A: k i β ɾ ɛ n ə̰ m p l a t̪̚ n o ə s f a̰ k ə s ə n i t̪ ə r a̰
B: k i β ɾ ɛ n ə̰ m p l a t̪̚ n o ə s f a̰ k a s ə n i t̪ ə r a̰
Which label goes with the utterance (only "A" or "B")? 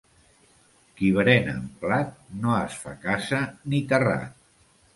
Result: B